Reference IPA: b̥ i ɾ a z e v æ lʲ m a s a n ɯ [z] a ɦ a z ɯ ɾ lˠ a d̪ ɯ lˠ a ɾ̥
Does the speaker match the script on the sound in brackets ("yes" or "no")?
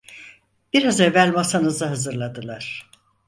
yes